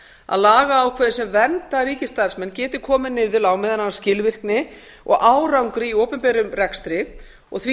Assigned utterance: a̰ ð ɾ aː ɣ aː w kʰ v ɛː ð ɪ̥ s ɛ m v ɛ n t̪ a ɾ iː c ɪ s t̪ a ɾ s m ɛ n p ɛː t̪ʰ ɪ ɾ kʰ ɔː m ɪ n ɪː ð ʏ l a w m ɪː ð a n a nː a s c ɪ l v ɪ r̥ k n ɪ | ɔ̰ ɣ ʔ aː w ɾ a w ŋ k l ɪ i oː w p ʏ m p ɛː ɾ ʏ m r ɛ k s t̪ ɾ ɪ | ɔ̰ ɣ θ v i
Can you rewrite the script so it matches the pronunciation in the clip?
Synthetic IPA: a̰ ð l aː ɣ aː w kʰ v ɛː ð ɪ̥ s ɛ m v ɛ n t̪ a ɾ iː c ɪ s t̪ a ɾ s m ɛ n c ɛː t̪ ɪ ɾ kʰ ɔː m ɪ n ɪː ð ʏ l a w m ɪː ð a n a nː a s c ɪ l v ɪ r̥ k n ɪ | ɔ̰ ɣ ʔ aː w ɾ a w ŋ k ɾ ɪ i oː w p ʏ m p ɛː ɾ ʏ m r ɛ k s t̪ ɾ ɪ | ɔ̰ ɣ θ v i